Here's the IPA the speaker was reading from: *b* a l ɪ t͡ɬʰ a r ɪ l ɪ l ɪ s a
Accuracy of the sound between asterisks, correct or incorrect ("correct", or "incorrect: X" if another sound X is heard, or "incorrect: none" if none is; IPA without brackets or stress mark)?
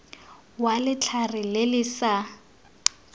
incorrect: w